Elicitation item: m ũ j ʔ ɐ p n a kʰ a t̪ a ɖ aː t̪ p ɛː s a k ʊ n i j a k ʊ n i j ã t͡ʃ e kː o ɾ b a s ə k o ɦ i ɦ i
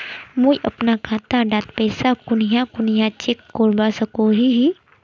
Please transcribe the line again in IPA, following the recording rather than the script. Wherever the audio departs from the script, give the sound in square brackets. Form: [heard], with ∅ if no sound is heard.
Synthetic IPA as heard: m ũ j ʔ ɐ p n a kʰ a t̪ a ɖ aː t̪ p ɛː s a k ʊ n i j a k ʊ n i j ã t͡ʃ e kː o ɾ b a s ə k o ɦ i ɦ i